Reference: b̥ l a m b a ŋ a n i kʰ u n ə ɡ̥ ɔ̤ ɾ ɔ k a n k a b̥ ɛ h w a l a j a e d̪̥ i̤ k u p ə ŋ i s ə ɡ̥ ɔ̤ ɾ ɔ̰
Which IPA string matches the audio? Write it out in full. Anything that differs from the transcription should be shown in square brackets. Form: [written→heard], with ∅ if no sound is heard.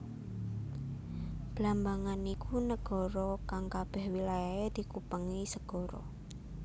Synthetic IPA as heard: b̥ l a m b a ŋ a n i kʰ u n ə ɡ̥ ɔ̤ ɾ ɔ k a [n→ŋ] k a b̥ ɛ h w [a→i] l a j a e d̪̥ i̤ k u p ə ŋ i s ə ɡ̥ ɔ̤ ɾ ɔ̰